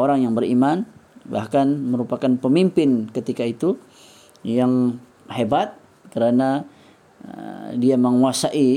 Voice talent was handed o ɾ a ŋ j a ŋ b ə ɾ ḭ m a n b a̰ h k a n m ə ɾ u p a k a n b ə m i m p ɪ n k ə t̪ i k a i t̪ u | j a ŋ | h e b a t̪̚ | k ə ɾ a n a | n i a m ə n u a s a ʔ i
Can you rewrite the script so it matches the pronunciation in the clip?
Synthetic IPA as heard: o ɾ a ŋ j a ŋ b ə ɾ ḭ m a n b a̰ h k a n m ə ɾ u p a k a n p ə m i m p ɪ n k ə t̪ i k a i t̪ u | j a ŋ | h e b a t̪̚ | k ə ɾ a n a | d i a m ə ŋ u a s a ʔ i